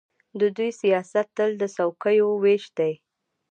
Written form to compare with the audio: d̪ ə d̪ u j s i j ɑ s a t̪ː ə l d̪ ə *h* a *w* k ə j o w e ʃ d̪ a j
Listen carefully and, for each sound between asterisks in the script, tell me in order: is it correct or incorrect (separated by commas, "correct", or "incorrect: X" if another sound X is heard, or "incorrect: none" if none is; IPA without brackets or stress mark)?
incorrect: s, correct